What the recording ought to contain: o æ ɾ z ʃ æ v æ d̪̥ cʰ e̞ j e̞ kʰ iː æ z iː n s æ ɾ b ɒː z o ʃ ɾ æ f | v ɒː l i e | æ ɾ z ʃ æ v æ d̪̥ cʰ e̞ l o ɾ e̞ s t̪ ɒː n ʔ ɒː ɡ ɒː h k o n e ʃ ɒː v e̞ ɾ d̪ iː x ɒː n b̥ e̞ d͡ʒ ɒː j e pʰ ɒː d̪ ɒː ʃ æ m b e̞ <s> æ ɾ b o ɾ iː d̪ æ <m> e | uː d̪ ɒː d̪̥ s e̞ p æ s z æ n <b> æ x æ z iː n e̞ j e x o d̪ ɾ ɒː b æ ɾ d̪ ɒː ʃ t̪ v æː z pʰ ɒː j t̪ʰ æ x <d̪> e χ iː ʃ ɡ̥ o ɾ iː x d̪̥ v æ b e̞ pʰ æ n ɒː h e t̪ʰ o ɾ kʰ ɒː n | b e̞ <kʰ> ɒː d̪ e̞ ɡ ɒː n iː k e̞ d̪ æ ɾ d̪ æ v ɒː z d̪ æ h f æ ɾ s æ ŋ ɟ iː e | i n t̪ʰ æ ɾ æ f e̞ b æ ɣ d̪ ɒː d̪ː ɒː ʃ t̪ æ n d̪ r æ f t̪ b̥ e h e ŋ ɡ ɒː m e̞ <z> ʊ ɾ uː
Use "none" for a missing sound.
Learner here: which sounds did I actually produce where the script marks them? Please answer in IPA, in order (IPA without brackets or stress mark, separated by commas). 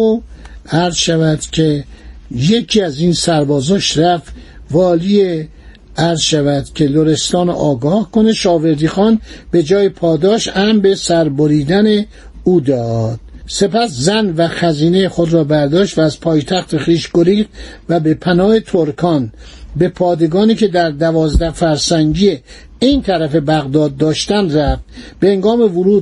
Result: s, n, v, t̪, pʰ, v